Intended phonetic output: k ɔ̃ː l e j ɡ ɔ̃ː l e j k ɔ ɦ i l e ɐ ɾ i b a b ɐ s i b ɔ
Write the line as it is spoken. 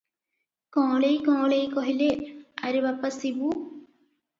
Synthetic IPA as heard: k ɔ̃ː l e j k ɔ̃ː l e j k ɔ ɦ i l e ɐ ɾ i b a p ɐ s i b u

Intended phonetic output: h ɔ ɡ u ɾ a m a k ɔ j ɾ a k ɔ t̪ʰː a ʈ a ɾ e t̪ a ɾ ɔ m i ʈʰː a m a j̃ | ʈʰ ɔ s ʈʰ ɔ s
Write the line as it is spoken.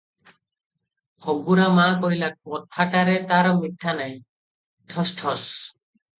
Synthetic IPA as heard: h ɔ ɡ u ɾ a m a k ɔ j l a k ɔ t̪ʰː a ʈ a ɾ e t̪ a ɾ ɔ m i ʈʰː a n a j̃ | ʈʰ ɔ s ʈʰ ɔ s

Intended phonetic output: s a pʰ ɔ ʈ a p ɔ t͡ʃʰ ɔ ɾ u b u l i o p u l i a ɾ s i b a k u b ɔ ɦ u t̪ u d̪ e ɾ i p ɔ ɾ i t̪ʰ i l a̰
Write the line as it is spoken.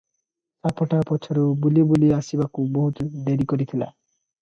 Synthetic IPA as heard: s a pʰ ɔ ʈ a p ɔ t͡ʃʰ ɔ ɾ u b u l i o b u l i a s i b a k u b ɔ ɦ u t̪ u d̪ e ɾ i k ɔ ɾ i t̪ʰ i l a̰

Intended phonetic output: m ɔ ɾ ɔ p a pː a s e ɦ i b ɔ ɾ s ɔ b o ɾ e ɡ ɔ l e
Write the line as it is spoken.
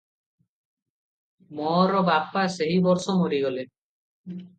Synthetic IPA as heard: m ɔ ɾ ɔ b a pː a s e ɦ i b ɔ ɾ s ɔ m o ɾ i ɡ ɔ l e

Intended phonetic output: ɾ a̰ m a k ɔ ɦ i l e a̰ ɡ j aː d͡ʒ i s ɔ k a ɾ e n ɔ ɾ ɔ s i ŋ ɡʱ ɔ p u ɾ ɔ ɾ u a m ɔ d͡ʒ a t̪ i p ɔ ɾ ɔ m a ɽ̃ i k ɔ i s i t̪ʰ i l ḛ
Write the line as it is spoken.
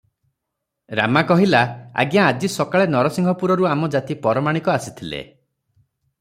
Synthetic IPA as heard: ɾ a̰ m a k ɔ ɦ i l a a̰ ɡ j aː d͡ʒ i s ɔ k a ɭ e n ɔ ɾ ɔ s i ŋ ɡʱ ɔ p u ɾ ɔ ɾ u a m ɔ d͡ʒ a t̪ i p ɔ ɾ ɔ m a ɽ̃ i k ɔ a s i t̪ʰ i l ḛ

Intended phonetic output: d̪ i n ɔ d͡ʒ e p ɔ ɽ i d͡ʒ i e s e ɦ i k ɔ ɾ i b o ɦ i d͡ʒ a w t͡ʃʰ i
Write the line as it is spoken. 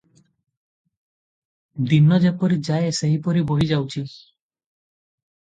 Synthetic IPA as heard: d̪ i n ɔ d͡ʒ e p ɔ ɾ i d͡ʒ a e s e ɦ i p ɔ ɾ i b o ɦ i d͡ʒ a w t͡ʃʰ i

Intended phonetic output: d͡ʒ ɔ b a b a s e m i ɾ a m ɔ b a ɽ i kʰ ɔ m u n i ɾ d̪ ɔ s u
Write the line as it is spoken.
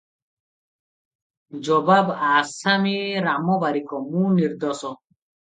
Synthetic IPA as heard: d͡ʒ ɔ b a b a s a m i ɾ a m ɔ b a ɾ i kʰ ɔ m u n i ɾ d̪ ɔ s ɔ

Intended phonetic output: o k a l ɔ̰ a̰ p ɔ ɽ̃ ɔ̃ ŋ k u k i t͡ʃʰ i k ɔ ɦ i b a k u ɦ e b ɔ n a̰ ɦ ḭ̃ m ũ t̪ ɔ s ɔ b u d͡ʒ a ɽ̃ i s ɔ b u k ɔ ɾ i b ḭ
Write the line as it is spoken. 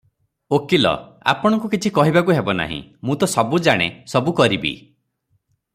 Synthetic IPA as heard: o k i l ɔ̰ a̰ p ɔ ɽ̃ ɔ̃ ŋ k u k i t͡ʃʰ i k ɔ ɦ i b a k u ɦ e b ɔ n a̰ ɦ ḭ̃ m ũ t̪ ɔ s ɔ b u d͡ʒ a ɽ̃ e s ɔ b u k ɔ ɾ i b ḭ

